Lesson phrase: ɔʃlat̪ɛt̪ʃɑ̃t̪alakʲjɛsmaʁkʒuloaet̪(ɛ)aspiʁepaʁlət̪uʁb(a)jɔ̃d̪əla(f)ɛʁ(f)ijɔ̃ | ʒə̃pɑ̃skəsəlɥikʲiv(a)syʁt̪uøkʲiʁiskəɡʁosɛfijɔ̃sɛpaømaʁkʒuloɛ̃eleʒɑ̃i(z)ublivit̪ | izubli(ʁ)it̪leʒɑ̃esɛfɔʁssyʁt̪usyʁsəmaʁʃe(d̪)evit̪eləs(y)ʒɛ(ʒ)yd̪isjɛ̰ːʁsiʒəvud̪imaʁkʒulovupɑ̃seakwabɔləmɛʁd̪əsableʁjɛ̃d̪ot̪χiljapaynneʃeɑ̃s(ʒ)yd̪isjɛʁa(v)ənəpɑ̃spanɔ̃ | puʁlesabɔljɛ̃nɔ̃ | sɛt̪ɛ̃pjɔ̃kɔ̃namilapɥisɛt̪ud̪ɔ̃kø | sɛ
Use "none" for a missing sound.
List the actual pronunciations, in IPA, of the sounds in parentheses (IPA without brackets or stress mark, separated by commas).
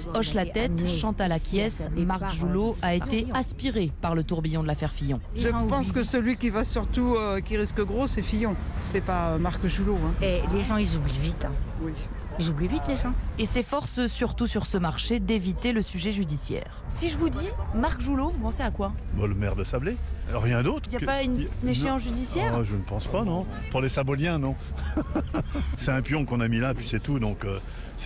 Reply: e, i, f, f, a, z, v, d̪, y, ʒ, ʒ, ʒ